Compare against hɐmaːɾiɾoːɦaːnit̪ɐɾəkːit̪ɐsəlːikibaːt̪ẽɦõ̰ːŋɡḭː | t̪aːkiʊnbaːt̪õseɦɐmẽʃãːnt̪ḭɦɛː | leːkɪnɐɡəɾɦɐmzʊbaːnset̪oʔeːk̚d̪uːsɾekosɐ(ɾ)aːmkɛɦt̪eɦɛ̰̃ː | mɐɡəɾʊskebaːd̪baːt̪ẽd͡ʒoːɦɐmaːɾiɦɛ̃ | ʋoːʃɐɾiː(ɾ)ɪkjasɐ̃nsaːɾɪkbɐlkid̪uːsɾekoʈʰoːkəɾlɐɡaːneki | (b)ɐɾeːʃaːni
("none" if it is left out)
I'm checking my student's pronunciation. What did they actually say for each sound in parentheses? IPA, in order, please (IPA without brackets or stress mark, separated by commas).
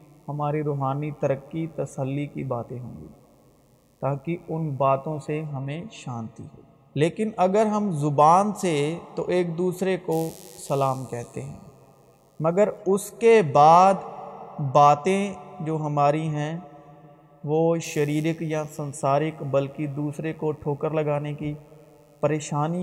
l, ɾ, p